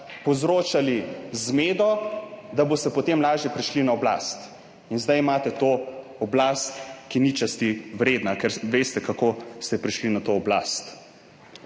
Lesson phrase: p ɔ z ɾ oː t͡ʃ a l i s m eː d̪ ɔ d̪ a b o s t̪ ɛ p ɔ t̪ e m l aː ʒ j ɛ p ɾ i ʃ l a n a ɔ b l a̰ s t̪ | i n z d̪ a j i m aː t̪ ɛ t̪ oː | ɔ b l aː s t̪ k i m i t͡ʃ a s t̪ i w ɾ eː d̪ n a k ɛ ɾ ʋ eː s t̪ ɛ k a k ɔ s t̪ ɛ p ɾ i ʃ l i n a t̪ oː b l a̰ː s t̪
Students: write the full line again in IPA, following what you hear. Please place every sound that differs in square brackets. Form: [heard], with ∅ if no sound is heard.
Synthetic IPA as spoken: p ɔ z ɾ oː t͡ʃ a l i [z] m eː d̪ ɔ d̪ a b o s t̪ ɛ p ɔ t̪ e m l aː ʒ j ɛ p ɾ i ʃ l [i] n a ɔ b l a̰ s t̪ | i n z d̪ a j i m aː t̪ ɛ t̪ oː | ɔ b l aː s t̪ k i [n] i t͡ʃ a s t̪ i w ɾ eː d̪ n a k ɛ ɾ ʋ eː s t̪ ɛ k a k [o] s t̪ ɛ p ɾ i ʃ l i n a t̪ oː b l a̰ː s t̪